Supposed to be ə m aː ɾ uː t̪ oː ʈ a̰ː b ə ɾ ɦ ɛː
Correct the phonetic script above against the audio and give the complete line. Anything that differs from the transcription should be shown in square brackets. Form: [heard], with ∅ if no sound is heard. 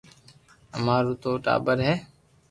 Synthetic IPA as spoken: ə m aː ɾ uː t̪ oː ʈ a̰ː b ə ɾ ɦ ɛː